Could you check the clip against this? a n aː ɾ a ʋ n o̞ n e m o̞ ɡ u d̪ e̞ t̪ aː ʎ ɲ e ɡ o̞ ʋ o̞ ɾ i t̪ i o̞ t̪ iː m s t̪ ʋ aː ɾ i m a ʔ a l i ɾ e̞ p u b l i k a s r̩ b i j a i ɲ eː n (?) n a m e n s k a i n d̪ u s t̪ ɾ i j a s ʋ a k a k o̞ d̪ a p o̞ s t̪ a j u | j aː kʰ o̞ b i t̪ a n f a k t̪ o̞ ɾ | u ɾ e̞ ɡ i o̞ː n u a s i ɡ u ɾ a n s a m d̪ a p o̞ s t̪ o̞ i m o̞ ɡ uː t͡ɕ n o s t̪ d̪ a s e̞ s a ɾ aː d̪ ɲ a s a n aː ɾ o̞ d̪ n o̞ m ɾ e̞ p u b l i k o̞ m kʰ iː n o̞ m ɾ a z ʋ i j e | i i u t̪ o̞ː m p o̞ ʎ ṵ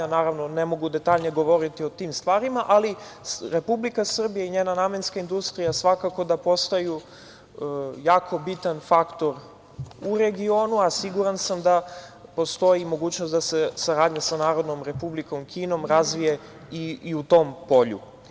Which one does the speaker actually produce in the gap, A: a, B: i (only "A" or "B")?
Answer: A